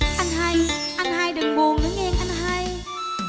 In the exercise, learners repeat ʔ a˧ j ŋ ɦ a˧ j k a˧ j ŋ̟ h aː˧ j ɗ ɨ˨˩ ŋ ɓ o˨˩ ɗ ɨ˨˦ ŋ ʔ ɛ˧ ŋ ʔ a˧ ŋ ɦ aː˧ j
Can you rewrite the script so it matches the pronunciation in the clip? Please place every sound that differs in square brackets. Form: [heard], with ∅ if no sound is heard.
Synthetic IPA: ʔ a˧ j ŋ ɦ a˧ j [ʔ] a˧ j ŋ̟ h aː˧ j ɗ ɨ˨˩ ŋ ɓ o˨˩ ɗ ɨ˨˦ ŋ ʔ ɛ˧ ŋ ʔ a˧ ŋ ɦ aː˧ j